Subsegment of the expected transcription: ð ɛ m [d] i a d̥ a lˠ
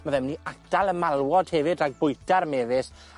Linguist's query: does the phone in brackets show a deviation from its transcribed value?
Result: yes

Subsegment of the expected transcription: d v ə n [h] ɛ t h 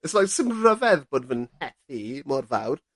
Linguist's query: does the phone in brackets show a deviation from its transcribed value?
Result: no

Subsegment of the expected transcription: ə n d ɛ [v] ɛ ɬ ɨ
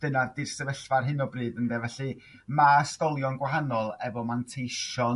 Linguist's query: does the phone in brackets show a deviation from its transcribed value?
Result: no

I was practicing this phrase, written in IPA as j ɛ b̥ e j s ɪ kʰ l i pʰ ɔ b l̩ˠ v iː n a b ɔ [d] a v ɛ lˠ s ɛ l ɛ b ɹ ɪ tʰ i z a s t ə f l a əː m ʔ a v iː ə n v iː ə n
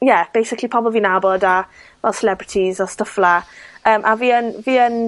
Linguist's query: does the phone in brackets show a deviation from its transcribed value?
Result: no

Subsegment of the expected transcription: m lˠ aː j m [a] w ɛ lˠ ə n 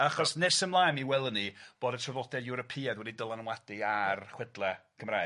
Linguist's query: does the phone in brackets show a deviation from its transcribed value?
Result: yes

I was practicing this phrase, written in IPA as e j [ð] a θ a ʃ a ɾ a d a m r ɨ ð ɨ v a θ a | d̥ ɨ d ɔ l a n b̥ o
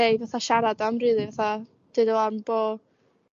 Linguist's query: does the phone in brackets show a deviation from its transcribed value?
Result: yes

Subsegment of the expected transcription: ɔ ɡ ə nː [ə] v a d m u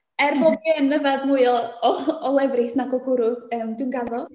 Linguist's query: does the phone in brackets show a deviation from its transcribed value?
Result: no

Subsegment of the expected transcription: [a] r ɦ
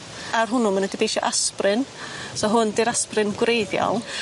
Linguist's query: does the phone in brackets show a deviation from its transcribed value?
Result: no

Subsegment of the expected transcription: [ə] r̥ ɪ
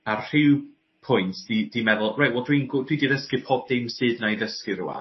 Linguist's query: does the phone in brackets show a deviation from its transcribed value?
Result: yes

